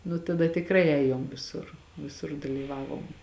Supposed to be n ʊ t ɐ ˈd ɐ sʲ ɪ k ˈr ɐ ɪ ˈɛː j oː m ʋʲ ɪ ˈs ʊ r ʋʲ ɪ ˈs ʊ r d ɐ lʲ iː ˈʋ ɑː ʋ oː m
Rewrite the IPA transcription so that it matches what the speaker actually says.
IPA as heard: n ʊ t ɐ ˈd ɐ tʲ ɪ k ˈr ɐ ɪ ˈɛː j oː m ʋʲ ɪ ˈs ʊ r ʋʲ ɪ ˈs ʊ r d ɐ lʲ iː ˈʋ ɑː ʋ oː m